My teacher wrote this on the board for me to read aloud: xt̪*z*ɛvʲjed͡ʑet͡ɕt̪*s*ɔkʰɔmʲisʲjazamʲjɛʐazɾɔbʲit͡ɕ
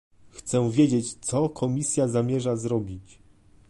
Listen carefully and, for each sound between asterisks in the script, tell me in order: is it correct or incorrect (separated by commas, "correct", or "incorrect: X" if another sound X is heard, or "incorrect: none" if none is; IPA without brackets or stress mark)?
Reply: incorrect: s, correct